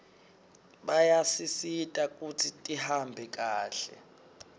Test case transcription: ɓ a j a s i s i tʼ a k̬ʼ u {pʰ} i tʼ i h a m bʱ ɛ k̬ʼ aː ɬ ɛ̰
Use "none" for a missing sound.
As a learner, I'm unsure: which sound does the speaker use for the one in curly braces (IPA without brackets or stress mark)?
tʰ